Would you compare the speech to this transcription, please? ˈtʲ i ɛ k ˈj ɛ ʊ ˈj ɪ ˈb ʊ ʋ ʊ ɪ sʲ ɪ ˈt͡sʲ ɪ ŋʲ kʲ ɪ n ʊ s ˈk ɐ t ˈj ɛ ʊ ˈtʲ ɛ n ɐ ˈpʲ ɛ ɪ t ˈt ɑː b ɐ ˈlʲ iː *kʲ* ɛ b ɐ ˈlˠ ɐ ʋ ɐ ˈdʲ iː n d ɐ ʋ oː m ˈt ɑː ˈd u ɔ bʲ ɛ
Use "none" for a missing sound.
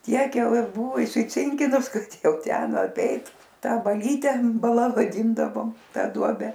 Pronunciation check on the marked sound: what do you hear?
tʲ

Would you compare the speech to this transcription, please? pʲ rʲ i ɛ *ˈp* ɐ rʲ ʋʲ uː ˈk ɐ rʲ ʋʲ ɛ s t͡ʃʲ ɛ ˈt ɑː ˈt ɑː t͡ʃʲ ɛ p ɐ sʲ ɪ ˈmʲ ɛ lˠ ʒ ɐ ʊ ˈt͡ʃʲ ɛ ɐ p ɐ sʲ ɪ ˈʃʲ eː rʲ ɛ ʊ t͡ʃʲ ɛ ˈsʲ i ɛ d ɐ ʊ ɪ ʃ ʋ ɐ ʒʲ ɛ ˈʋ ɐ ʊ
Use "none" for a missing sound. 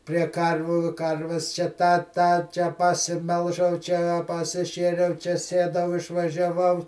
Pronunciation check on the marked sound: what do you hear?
k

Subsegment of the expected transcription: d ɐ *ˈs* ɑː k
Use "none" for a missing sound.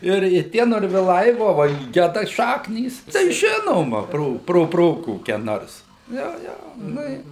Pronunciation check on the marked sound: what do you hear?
ʃ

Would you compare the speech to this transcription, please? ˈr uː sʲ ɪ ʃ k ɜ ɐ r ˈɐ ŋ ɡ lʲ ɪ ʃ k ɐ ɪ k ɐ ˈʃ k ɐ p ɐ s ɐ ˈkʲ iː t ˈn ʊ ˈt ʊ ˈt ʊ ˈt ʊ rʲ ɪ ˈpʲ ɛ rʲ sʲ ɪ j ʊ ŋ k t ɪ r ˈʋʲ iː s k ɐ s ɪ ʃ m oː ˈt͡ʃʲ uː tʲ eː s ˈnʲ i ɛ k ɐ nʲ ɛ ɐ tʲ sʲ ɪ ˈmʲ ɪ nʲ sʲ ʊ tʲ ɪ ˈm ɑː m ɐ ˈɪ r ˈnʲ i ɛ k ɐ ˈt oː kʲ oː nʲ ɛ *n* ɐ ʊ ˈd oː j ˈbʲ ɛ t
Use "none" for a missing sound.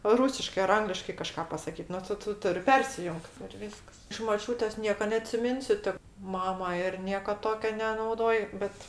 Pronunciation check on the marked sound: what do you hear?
n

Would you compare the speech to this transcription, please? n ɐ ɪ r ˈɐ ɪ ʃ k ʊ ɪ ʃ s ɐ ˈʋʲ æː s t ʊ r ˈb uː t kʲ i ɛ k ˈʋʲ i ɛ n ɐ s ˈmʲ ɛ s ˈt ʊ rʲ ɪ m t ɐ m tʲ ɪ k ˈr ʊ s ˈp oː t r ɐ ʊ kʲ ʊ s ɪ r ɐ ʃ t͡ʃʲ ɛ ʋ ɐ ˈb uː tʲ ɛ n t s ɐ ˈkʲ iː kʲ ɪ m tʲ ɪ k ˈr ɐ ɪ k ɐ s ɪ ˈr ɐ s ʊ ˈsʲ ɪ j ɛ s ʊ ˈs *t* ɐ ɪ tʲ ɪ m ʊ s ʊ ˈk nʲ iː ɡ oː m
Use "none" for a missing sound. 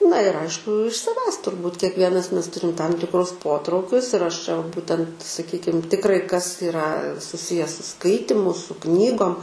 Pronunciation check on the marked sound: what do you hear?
k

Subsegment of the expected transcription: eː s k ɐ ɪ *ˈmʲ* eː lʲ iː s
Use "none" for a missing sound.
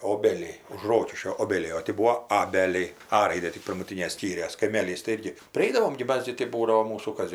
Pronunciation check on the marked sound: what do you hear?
mʲ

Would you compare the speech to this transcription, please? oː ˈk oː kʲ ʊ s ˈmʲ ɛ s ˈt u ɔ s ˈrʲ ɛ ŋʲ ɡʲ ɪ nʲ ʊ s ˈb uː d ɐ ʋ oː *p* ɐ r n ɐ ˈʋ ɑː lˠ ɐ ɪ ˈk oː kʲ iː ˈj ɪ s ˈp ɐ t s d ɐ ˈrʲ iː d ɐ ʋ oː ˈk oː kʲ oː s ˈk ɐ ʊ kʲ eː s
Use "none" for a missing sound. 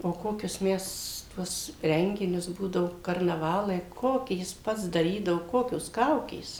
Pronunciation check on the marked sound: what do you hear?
k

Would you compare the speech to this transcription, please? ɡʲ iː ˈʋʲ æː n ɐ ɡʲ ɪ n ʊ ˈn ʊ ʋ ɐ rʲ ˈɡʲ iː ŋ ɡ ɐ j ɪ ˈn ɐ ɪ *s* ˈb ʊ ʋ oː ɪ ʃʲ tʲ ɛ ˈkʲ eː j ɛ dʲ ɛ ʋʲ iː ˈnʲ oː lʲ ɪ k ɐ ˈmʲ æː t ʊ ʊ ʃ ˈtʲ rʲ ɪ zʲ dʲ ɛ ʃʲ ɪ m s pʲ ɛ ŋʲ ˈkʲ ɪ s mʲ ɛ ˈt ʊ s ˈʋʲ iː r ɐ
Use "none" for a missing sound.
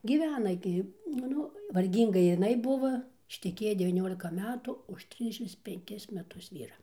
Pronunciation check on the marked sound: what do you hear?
none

